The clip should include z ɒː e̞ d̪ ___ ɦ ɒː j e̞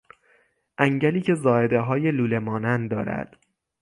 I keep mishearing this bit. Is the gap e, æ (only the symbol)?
e